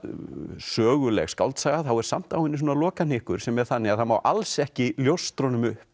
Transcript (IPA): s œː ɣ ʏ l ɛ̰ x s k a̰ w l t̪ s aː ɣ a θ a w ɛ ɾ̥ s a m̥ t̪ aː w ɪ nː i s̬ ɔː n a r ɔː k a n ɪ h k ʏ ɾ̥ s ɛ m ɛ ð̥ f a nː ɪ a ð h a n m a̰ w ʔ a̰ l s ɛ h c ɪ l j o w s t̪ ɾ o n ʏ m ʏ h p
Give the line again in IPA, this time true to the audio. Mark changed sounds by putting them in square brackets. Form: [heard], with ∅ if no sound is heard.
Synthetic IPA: s œː ɣ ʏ l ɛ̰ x s k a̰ w l t̪ s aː ɣ a θ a w ɛ ɾ̥ s a m̥ t̪ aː w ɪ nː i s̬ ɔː n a [l] ɔː k a n ɪ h k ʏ ɾ̥ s ɛ m ɛ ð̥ [θ] a nː ɪ a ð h a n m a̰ w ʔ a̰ l s ɛ h c ɪ l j o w s t̪ ɾ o n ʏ m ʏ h p

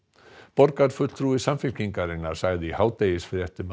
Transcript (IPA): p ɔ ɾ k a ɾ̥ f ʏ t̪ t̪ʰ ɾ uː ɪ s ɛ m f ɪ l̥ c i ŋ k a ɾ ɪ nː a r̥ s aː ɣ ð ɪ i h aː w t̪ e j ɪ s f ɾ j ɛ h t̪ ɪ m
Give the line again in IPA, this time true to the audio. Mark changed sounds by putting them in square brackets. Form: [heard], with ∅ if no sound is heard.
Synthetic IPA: p ɔ ɾ k a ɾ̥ f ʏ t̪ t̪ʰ ɾ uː ɪ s [a] m f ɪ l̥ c i ŋ k a ɾ ɪ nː a [ɾ̥] s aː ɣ ð ɪ i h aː w t̪ e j ɪ s f ɾ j ɛ h t̪ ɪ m

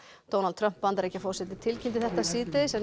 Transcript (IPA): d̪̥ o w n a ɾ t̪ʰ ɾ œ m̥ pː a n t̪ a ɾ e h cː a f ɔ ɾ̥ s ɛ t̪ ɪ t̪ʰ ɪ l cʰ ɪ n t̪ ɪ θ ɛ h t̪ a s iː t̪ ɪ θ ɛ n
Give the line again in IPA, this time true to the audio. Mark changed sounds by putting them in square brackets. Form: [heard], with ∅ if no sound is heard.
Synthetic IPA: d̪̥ o w n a [l] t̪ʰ ɾ œ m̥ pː a n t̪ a ɾ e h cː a f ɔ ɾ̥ s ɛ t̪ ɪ t̪ʰ ɪ l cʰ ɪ n t̪ ɪ θ ɛ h t̪ a s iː t̪ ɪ [s] ɛ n

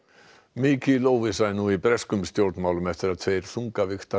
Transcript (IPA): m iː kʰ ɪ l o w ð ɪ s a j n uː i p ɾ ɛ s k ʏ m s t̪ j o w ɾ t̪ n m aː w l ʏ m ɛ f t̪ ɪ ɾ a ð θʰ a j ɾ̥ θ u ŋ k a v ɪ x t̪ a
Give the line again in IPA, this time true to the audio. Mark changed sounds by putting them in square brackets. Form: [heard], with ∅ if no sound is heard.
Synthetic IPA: m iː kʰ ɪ l o w [v] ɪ s a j n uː i p ɾ ɛ s k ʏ m s t̪ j o w ɾ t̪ n m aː w l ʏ m ɛ f t̪ ɪ ɾ a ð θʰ [e] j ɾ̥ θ u ŋ k a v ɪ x t̪ a

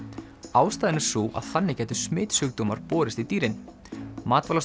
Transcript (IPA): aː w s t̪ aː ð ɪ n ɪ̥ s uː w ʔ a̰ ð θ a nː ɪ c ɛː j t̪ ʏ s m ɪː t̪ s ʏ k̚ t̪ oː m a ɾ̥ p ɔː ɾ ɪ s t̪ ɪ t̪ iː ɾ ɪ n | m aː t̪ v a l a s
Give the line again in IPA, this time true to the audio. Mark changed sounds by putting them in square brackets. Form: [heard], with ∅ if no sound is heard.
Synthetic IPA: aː w s t̪ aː ð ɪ n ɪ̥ s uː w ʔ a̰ ð θ a nː ɪ c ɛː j t̪ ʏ s m ɪː t̪ s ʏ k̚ t̪ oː m a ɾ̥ p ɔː ɾ ɪ s t̪ [i] t̪ iː ɾ ɪ n | m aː t̪ v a l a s

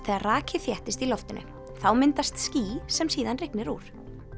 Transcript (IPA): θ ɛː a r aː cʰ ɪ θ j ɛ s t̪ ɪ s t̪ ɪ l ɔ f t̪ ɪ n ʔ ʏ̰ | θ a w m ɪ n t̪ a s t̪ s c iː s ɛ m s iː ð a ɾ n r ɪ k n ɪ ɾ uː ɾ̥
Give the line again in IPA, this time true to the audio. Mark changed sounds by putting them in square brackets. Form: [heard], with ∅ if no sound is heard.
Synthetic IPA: θ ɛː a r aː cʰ ɪ θ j ɛ [h] t̪ ɪ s t̪ [i] l ɔ f t̪ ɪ n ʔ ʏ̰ | θ a w m ɪ n t̪ a s t̪ s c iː s ɛ m s iː ð a [∅] n r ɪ k n ɪ ɾ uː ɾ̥

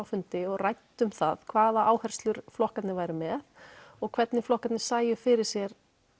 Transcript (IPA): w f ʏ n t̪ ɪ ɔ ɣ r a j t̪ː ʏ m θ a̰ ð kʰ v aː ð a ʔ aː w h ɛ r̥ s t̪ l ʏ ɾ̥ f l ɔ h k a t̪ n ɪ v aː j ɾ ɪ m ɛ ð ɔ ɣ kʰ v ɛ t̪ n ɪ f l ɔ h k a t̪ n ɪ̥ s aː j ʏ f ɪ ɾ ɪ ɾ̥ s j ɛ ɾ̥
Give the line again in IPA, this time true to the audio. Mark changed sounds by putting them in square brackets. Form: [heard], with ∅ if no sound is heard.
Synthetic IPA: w f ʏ n t̪ ɪ ɔ ɣ r a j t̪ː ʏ m θ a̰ ð kʰ v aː ð a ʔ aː w h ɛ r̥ s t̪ l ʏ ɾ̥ f l ɔ h k a t̪ n ɪ v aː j ɾ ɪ m ɛ ð ɔ ɣ kʰ v ɛ t̪ n ɪ f l ɔ h k a t̪ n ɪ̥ s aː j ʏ f ɪ ɾ ɪ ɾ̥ s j ɛ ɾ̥

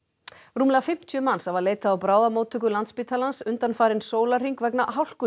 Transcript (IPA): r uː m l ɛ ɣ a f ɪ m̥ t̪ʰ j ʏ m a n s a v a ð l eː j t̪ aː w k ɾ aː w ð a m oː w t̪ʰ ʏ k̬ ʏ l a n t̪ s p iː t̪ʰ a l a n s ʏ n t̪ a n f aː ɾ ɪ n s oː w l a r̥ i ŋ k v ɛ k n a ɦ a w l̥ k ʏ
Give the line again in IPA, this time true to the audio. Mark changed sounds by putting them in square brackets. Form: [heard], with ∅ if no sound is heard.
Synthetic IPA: r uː m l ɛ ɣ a f ɪ m̥ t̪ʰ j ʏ m a n s a v a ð l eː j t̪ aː w [p] ɾ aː w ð a m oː w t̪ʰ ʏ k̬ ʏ l a n t̪ s p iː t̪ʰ a l a n s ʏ n t̪ a n f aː ɾ ɪ n s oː w l a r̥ i ŋ k v ɛ k n a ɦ a w l̥ k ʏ

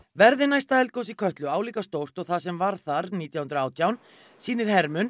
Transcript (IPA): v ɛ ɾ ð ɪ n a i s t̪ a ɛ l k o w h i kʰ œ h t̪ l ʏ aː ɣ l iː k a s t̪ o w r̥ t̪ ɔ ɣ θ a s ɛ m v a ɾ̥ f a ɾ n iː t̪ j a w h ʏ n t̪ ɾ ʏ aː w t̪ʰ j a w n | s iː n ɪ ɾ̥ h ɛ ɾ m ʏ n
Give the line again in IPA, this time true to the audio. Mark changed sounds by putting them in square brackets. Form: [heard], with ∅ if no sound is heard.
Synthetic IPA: v ɛ ɾ ð ɪ n a [j] s t̪ a ɛ l k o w [s] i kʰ œ h t̪ l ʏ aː [w] l iː k a s t̪ o w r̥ t̪ ɔ ɣ θ a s ɛ m v a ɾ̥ [θ] a ɾ n iː t̪ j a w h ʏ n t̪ ɾ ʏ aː w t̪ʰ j a w n | s iː n ɪ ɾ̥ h ɛ ɾ m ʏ n

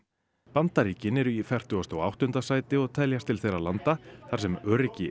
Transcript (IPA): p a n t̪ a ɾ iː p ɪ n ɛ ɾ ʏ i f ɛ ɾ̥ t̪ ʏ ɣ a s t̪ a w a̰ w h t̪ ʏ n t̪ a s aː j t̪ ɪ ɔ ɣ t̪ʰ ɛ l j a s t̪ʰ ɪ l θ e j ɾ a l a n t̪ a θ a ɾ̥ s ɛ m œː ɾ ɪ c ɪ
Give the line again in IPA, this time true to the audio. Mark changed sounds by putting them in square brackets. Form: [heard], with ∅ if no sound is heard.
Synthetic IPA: p a n t̪ a ɾ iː [c] ɪ n ɛ ɾ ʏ i f ɛ [r̥] t̪ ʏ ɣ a s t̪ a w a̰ w h t̪ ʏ n t̪ a s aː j t̪ ɪ ɔ ɣ t̪ʰ ɛ l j a s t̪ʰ ɪ l θ e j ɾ a l a n t̪ a θ a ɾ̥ s ɛ m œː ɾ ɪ c ɪ

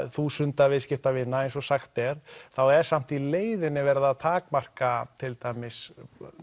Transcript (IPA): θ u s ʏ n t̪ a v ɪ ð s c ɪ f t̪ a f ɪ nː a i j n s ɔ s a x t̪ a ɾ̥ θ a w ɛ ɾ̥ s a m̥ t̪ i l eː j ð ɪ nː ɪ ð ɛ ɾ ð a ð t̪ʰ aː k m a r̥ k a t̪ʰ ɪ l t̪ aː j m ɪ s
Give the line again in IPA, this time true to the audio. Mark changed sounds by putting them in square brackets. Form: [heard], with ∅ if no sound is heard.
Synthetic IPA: θ u s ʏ n t̪ a v ɪ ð s c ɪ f t̪ a [v] ɪ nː a [e] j n s ɔ s a x t̪ [ɛ] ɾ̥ θ a w ɛ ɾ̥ s a m̥ t̪ i l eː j ð ɪ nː ɪ [v] ɛ ɾ ð a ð t̪ʰ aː k m a r̥ k a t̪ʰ ɪ l t̪ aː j m ɪ s

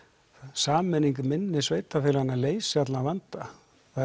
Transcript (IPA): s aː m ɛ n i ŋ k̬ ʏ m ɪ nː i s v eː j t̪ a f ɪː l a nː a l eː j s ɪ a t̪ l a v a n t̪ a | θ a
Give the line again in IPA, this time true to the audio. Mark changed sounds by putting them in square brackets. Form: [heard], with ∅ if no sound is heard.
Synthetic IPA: s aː m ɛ n i ŋ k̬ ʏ m ɪ nː [ɪ] s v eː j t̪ a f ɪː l a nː a l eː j s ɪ a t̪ l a v a n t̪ a | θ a

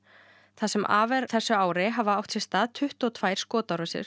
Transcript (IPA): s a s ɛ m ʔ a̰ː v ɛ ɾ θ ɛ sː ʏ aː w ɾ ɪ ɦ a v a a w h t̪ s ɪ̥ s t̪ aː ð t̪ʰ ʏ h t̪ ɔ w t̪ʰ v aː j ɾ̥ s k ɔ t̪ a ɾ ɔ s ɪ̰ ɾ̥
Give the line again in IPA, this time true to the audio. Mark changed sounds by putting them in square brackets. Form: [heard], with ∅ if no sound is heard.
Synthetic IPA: [θ] a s ɛ m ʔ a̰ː v ɛ ɾ θ ɛ sː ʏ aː w ɾ ɪ ɦ a v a a w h t̪ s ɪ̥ s t̪ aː ð t̪ʰ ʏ h t̪ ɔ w t̪ʰ v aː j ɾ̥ s k [ɔː] t̪ a ɾ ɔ s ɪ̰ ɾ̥

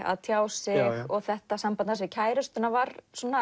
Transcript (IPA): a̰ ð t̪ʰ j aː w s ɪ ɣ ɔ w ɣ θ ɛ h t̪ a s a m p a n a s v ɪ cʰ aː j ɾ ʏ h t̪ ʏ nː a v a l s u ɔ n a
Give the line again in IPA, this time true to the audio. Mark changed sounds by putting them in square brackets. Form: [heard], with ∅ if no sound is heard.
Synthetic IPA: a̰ ð t̪ʰ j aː w s ɪ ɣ ɔ [∅] ɣ θ ɛ h t̪ a s a m p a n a s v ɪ cʰ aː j ɾ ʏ [s] t̪ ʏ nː a v a [ɾ] s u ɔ n a

